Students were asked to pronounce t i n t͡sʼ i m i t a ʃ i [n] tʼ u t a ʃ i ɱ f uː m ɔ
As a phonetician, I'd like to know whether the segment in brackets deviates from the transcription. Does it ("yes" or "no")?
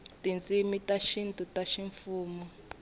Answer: no